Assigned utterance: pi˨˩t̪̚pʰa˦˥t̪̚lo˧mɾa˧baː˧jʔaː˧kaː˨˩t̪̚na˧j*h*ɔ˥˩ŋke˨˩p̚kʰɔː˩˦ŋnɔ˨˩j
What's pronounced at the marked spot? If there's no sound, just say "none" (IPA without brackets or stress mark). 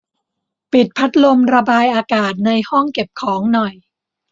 h